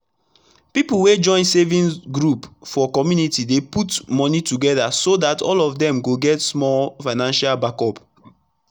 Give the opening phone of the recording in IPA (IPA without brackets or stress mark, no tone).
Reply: p